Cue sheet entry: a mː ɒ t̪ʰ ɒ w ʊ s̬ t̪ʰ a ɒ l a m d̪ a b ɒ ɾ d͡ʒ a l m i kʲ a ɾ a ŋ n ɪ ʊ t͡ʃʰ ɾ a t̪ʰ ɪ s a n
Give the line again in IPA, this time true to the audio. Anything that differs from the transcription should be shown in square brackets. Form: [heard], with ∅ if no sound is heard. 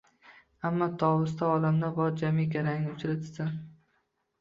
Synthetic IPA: a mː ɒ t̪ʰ ɒ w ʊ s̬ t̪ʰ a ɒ l a m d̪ a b ɒ ɾ d͡ʒ a [∅] m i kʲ a ɾ a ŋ n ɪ ʊ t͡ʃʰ ɾ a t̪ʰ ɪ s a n